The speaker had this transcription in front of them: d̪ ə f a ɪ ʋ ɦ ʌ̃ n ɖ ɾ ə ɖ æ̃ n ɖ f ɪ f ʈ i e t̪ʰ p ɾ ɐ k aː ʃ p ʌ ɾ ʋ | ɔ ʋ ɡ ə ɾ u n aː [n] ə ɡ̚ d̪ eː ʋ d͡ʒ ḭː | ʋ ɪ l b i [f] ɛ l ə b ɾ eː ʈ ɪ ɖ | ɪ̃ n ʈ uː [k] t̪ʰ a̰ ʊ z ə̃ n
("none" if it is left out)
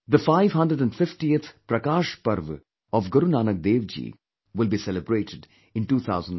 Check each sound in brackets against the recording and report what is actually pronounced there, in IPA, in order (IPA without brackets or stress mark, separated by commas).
n, s, none